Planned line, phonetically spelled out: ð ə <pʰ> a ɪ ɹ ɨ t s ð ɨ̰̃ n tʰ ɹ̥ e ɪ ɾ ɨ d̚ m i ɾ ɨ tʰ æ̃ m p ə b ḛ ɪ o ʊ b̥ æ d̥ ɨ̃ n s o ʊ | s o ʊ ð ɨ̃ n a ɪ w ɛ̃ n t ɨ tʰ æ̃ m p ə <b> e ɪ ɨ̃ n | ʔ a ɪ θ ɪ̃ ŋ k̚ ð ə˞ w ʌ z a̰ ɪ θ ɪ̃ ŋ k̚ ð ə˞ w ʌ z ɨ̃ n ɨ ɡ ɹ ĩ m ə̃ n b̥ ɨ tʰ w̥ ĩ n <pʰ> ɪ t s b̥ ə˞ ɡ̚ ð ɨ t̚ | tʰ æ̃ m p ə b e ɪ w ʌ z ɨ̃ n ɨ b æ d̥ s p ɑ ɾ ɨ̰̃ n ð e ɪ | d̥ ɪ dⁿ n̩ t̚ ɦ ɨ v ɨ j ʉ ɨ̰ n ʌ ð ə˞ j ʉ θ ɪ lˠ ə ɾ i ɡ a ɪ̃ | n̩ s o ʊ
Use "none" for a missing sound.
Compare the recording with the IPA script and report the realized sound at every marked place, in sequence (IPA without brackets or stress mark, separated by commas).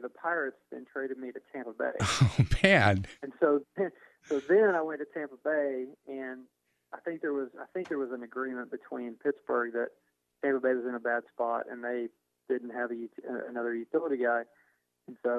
pʰ, b, pʰ